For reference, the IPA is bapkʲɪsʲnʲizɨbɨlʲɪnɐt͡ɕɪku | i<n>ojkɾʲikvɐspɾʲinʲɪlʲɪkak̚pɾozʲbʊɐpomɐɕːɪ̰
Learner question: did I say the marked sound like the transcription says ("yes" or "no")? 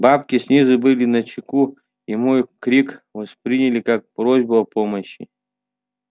no